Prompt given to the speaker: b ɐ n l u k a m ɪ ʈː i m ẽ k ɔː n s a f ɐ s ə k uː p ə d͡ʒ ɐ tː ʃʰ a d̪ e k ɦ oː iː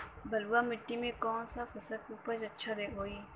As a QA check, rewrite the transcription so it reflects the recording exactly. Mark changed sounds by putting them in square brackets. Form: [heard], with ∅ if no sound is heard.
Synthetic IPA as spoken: b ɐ [∅] l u [∅] a m ɪ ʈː i m ẽ k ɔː n s a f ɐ s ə k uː p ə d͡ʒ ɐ tː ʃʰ a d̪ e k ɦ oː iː